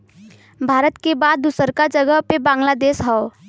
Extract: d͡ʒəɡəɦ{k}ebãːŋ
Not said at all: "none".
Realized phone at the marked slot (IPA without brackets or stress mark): p